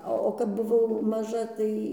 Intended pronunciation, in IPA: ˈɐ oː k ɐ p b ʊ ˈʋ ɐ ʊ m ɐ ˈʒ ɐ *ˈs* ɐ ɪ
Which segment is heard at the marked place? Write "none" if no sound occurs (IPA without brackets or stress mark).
t